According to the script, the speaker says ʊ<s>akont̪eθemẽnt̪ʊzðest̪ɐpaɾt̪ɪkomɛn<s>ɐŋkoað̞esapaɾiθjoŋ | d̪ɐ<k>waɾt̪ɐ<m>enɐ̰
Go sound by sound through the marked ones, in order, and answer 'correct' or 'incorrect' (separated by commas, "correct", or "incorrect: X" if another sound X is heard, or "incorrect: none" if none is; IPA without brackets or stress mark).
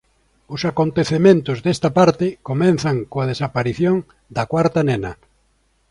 correct, incorrect: θ, correct, incorrect: n